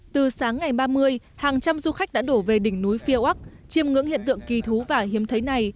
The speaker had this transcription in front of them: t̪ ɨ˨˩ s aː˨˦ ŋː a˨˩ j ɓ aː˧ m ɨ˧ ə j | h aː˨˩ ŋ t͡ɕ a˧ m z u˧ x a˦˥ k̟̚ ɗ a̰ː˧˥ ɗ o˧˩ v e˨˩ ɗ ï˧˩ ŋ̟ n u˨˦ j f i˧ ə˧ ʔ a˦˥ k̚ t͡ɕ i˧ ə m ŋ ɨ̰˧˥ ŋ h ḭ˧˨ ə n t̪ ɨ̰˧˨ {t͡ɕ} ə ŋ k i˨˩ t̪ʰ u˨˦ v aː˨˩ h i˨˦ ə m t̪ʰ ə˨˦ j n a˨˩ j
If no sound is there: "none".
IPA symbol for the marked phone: none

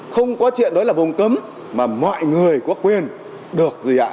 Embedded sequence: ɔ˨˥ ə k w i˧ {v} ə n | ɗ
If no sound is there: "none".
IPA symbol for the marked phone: none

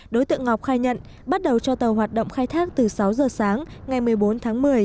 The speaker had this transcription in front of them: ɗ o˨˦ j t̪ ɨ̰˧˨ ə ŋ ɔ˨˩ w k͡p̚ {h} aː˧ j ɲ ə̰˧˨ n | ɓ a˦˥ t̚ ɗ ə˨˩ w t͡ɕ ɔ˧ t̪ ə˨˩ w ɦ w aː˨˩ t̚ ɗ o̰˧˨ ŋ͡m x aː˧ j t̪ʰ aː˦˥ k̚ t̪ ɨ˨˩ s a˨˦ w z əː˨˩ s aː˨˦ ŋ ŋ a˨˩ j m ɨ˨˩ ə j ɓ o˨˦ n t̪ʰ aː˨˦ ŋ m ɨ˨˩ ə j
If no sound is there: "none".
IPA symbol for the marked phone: x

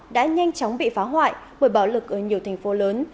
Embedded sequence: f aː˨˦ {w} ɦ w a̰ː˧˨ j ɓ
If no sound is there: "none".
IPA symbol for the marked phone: none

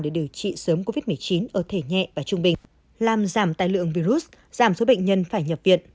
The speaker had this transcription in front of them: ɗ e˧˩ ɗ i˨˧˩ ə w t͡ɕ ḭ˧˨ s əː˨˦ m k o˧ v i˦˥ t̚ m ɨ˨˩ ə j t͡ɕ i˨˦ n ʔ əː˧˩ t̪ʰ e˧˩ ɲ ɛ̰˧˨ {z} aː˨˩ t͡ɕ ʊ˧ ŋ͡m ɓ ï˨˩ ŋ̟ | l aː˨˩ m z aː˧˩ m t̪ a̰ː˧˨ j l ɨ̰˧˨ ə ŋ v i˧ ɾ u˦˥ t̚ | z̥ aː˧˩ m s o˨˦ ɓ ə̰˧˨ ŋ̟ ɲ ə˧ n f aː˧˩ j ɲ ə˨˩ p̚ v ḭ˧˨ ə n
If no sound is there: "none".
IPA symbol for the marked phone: v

